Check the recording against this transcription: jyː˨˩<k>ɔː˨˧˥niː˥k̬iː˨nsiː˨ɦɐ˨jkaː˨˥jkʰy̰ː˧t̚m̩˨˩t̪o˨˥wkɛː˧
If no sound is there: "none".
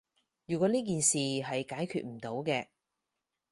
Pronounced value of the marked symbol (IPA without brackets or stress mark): k